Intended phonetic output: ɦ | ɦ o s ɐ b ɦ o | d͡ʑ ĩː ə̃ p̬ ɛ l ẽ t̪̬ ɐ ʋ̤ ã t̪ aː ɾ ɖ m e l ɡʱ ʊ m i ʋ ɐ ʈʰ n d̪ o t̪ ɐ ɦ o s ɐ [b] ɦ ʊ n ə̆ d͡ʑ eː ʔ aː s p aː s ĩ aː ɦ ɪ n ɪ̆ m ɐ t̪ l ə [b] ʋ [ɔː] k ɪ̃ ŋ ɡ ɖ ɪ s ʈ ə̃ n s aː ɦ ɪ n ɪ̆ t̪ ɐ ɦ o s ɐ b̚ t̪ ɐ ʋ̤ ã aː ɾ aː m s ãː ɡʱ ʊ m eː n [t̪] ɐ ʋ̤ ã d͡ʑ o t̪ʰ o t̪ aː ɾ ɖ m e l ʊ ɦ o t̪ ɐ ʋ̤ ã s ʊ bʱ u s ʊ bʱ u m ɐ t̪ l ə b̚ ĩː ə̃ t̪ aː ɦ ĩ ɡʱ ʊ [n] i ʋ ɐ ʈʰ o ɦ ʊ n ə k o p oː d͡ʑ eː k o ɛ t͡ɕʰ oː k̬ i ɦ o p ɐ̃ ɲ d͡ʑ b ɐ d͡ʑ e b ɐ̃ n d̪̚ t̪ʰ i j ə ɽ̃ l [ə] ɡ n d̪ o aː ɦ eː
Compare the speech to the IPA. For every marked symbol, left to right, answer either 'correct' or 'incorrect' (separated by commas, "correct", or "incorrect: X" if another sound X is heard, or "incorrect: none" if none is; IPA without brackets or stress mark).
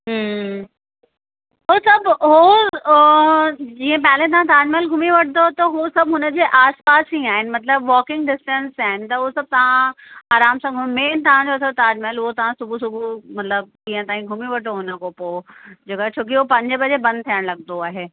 correct, correct, correct, correct, incorrect: m, incorrect: ɐ